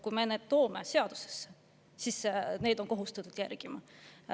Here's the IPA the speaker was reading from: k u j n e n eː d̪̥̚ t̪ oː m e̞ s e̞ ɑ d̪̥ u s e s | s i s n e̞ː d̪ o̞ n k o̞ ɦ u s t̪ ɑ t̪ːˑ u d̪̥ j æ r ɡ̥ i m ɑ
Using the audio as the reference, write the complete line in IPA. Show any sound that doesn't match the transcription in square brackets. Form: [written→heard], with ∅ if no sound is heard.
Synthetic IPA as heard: k u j [n→m] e n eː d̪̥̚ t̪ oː m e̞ s e̞ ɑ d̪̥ u s e s | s i s n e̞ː d̪ o̞ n k o̞ ɦ u s t̪ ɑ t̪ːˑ u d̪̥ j æ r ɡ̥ i m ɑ